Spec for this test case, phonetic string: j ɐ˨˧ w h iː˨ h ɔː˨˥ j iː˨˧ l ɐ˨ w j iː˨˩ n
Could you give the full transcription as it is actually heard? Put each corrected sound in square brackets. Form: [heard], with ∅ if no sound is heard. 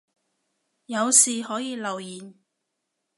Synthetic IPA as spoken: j ɐ˨˧ w [s] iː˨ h ɔː˨˥ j iː˨˧ l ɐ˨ w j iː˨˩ n